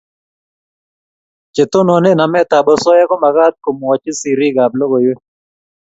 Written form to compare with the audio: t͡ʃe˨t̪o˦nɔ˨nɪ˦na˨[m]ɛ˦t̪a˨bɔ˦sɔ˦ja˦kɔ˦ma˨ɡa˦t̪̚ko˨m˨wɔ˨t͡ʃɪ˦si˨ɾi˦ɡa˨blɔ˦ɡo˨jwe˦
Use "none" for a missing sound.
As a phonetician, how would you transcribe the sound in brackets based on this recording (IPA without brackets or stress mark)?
m